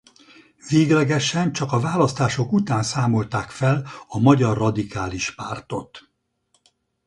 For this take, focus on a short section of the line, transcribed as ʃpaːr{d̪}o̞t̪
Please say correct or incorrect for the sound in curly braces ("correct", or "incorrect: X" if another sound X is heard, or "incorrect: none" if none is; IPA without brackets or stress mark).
incorrect: t̪